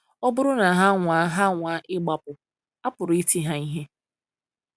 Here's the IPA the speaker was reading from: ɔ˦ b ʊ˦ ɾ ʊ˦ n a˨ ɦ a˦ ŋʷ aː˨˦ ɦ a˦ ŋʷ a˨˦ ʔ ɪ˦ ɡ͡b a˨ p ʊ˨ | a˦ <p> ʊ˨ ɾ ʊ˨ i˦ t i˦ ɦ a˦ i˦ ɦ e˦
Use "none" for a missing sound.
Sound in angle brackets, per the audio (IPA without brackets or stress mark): p